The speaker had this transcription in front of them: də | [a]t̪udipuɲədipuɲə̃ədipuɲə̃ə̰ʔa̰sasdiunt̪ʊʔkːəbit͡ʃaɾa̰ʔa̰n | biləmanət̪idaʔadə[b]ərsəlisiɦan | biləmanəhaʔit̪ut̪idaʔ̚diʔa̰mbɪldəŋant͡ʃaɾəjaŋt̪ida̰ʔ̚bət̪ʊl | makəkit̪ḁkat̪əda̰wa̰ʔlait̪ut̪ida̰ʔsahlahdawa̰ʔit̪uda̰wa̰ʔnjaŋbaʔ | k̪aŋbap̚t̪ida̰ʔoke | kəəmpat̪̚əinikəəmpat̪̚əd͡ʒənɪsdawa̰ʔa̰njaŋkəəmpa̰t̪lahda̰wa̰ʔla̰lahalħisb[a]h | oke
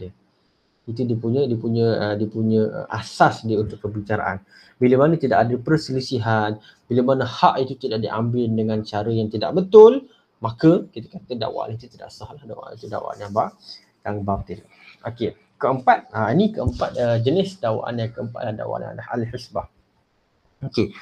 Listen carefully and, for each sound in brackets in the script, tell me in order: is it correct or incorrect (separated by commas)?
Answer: incorrect, incorrect, correct